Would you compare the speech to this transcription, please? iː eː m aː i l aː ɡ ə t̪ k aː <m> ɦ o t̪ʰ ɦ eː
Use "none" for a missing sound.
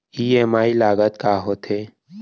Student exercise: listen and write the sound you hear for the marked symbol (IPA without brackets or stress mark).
none